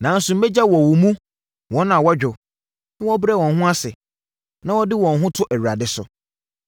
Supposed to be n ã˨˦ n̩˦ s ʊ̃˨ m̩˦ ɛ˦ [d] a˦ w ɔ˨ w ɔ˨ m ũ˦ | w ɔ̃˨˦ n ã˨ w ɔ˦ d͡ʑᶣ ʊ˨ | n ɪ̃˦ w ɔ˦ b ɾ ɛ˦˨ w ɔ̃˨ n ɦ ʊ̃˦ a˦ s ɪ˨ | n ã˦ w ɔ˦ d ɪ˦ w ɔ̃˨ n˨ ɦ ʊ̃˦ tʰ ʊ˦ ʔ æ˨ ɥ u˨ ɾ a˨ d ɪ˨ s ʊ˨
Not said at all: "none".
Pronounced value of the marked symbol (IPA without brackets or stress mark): d͡ʑ